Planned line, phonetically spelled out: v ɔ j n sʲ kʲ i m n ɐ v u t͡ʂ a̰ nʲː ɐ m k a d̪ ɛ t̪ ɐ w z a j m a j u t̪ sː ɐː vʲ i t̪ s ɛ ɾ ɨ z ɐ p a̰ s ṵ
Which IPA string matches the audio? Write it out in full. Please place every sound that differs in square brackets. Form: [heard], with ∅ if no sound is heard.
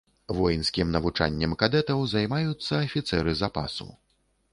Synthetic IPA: v ɔ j n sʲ kʲ i m n ɐ v u t͡ʂ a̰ nʲː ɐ m k a d̪ ɛ t̪ ɐ w z a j m a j u t̪ sː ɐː [fʲ] i t̪ s ɛ ɾ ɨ z [a] p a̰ s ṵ

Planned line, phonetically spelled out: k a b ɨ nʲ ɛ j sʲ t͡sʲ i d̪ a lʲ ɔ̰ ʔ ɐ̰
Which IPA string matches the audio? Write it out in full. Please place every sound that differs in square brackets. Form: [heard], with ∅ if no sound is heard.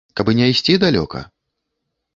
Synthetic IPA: k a b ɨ nʲ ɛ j sʲ t͡sʲ i d̪ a lʲ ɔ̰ [k] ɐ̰

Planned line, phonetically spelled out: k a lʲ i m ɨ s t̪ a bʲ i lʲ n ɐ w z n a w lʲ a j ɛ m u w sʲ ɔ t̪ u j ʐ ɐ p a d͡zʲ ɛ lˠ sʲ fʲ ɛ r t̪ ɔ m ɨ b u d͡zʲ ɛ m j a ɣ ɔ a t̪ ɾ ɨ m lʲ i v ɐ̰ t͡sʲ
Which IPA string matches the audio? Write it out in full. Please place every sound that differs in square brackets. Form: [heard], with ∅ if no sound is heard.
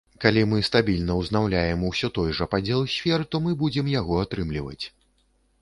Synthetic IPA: k a lʲ i m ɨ s t̪ a bʲ i lʲ n ɐ w z n a w lʲ a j ɛ m u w sʲ ɔ t̪ [ɔ] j ʐ ɐ p a d͡zʲ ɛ lˠ sʲ fʲ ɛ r t̪ ɔ m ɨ b u d͡zʲ ɛ m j a ɣ ɔ a t̪ ɾ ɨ m lʲ i v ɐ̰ t͡sʲ

